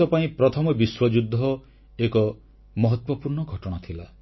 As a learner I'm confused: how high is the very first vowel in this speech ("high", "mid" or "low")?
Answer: mid